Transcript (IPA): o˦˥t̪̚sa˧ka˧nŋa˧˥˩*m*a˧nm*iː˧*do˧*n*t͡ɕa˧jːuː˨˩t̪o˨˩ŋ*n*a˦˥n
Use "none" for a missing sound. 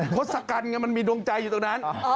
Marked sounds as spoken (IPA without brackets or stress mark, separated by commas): m, iː˧, ŋ, n